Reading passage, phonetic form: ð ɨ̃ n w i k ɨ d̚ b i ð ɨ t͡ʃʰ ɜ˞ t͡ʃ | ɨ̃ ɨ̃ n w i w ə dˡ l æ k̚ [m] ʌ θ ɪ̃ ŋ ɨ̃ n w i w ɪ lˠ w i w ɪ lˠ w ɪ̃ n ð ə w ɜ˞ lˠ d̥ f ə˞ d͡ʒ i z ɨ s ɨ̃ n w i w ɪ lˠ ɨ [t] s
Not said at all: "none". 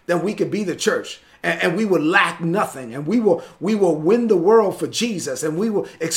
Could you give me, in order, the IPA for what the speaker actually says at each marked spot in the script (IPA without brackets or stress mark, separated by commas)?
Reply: n, k